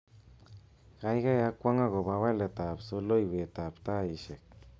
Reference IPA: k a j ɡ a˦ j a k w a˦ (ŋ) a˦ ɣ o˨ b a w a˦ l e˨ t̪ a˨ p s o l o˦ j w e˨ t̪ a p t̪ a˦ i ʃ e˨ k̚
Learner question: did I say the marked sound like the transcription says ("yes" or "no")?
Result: yes